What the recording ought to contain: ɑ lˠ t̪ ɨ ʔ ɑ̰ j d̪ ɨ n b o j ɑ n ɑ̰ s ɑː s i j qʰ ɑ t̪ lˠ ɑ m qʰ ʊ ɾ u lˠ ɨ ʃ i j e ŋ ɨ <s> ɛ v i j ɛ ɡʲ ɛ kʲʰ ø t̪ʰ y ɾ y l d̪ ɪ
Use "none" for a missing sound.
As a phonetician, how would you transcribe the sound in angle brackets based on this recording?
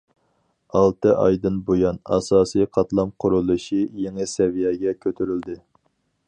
s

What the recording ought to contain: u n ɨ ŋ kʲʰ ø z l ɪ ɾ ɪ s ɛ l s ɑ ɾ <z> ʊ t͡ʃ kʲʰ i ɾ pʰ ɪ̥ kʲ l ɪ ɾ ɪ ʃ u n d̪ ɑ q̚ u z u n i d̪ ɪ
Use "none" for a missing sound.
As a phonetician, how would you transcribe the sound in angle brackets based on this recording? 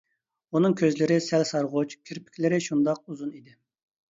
ʁ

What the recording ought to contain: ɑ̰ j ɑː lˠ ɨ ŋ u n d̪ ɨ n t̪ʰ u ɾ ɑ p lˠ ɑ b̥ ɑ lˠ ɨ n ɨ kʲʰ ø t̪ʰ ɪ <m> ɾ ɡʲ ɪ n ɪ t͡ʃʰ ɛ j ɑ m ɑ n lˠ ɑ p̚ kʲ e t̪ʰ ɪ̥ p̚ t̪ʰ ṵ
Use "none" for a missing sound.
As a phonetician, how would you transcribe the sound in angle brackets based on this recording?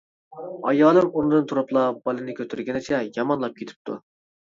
none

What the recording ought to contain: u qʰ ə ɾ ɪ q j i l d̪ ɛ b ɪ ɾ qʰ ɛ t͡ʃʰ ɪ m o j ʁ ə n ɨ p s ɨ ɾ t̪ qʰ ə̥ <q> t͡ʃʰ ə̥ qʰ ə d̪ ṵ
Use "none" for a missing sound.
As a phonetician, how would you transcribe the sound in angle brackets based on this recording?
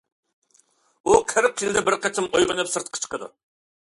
none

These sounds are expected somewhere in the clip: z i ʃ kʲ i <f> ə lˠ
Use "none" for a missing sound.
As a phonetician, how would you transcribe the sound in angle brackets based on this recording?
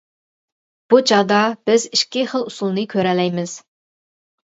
χ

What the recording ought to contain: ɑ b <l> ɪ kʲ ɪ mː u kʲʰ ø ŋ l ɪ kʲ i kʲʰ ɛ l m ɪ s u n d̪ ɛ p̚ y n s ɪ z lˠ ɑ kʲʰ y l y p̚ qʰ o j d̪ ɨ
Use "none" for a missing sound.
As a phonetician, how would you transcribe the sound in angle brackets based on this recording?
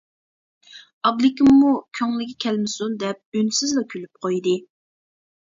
l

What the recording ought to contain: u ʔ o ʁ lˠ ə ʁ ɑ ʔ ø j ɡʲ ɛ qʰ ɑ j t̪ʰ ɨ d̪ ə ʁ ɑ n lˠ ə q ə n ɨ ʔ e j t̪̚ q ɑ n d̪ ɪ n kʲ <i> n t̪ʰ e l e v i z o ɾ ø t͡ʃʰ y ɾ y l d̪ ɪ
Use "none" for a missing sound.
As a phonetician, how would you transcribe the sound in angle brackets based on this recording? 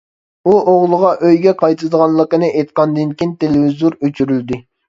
i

